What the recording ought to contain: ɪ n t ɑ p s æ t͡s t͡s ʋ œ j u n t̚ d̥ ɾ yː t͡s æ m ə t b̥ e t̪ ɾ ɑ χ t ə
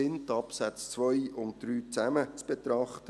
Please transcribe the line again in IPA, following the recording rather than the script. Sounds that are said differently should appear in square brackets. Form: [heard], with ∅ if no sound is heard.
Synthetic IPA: ɪ n t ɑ p s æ t͡s t͡s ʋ œ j [ʊ] n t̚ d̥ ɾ yː t͡s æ m ə [t͡s] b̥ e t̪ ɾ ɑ χ t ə